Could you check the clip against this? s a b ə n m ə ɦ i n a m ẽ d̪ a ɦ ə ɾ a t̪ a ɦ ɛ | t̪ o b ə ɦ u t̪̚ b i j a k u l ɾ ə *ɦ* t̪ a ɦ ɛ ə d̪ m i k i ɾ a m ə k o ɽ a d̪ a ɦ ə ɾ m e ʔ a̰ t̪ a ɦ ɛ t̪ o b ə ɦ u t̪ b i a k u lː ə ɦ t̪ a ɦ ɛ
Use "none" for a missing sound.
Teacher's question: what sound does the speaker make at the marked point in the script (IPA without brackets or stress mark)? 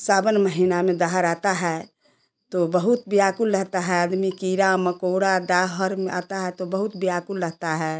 ɦ